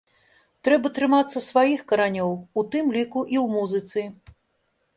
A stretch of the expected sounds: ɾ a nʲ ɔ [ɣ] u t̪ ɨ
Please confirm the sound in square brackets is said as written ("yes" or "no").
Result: no